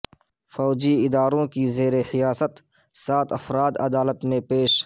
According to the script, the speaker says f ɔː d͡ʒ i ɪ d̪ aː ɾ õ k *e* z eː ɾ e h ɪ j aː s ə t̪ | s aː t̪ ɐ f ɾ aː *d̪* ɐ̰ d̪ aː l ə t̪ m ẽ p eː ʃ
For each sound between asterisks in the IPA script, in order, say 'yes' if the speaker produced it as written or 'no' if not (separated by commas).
no, yes